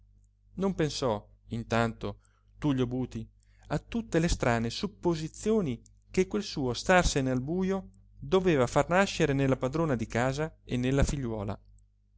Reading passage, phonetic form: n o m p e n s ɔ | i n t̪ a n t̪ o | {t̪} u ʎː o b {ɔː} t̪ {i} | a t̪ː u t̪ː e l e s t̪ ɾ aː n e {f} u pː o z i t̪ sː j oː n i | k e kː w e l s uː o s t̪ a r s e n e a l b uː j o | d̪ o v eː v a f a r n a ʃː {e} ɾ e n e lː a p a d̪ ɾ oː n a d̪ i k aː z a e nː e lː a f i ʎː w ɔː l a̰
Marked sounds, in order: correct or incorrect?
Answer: correct, incorrect, correct, incorrect, correct

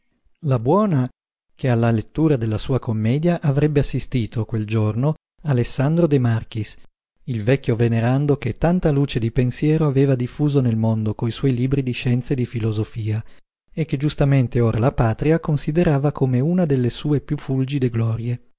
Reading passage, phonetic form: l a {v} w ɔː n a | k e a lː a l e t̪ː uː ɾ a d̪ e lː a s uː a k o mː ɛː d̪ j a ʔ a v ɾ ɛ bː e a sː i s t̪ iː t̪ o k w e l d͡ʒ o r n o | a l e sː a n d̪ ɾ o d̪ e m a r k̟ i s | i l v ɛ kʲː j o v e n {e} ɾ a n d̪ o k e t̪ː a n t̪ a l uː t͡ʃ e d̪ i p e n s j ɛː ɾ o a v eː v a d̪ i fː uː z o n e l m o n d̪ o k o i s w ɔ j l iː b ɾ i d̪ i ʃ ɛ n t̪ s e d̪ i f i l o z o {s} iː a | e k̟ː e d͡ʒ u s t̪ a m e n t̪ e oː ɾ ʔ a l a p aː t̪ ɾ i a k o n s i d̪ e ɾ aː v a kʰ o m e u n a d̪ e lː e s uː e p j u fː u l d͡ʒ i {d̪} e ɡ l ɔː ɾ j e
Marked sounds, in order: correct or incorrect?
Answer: incorrect, correct, incorrect, correct

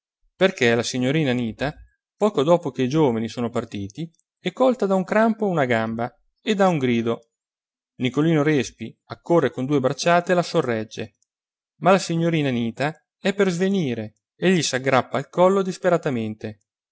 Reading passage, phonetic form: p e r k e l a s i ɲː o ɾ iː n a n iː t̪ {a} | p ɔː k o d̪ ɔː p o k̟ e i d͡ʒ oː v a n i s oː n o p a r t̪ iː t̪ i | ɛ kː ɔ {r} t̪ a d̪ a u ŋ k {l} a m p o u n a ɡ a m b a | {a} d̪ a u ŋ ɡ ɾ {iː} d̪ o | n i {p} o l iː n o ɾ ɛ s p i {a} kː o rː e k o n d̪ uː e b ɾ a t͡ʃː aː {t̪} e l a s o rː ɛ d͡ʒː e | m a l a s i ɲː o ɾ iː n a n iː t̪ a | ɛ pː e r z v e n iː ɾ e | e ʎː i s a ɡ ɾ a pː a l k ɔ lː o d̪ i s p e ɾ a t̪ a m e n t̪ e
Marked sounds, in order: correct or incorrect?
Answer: correct, incorrect, incorrect, incorrect, correct, incorrect, correct, correct

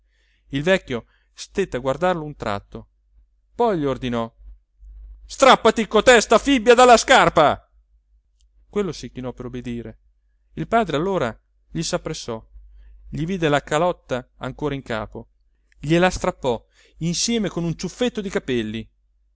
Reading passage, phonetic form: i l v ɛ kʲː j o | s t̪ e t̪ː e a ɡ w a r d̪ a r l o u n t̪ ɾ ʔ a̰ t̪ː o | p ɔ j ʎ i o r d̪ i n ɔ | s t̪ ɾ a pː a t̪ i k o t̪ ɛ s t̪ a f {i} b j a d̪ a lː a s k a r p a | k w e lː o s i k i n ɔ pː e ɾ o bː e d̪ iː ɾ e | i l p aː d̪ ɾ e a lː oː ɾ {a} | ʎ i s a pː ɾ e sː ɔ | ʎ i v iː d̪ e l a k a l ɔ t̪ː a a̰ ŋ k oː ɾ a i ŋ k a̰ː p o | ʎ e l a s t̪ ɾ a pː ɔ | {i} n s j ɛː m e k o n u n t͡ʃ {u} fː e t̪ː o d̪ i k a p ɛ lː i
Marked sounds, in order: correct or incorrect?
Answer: correct, correct, correct, correct

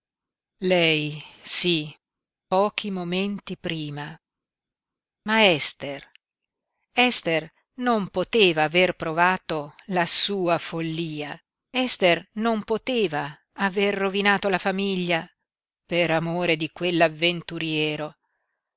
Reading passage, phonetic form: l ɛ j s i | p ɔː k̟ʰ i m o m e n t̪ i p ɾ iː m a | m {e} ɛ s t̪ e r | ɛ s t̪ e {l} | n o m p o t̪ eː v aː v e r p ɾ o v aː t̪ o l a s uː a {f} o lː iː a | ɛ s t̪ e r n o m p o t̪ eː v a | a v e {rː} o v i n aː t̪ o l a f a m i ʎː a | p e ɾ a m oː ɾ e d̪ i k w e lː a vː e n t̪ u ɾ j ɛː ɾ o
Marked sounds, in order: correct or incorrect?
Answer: incorrect, incorrect, correct, correct

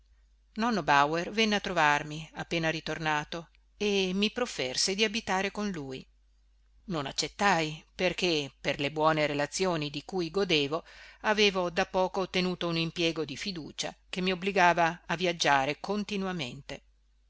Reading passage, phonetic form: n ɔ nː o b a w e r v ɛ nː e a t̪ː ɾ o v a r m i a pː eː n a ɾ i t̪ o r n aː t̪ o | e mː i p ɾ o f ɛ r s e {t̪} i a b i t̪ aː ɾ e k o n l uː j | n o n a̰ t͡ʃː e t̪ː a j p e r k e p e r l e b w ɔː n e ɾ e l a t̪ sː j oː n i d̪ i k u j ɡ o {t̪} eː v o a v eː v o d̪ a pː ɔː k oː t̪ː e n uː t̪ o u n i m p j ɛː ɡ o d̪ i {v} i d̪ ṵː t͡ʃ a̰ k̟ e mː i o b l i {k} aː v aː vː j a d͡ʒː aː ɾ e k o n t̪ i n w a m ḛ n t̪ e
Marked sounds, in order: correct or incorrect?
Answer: incorrect, incorrect, incorrect, incorrect

